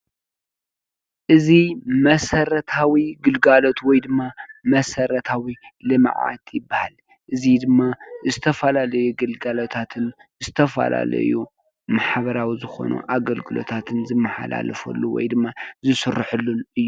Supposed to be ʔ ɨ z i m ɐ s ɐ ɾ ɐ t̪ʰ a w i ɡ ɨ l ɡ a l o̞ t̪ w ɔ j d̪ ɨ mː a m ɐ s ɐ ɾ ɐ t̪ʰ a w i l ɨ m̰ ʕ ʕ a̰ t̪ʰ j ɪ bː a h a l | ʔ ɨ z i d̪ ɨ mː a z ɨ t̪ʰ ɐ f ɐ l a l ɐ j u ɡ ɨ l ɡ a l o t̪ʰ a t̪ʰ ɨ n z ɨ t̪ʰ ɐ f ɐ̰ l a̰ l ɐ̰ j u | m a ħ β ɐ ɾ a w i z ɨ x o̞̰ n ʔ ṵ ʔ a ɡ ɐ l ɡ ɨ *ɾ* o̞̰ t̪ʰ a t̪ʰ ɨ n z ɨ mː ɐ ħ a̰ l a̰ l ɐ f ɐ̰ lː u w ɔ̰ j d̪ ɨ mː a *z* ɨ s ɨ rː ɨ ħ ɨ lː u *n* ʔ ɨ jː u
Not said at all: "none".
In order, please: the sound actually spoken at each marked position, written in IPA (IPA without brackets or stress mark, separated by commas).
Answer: l, z, n